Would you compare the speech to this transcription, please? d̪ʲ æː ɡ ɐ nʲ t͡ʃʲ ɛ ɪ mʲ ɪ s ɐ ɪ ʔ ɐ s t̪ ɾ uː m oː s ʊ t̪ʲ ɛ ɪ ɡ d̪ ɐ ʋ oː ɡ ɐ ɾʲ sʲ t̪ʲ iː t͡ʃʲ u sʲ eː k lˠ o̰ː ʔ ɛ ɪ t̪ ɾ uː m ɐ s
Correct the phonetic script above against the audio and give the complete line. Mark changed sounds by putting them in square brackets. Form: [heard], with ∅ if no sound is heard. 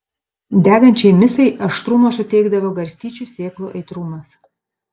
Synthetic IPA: d̪ʲ æː ɡ ɐ nʲ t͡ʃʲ ɛ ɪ mʲ ɪ s ɐ ɪ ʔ ɐ [ʃ] t̪ ɾ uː m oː s ʊ t̪ʲ ɛ ɪ ɡ d̪ ɐ ʋ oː ɡ ɐ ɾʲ sʲ t̪ʲ iː t͡ʃʲ u sʲ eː k lˠ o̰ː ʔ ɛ ɪ t̪ ɾ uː m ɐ s